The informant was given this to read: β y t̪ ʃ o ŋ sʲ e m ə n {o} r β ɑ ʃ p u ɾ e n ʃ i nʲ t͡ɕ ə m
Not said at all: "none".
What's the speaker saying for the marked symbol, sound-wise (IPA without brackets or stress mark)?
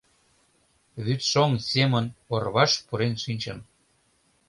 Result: o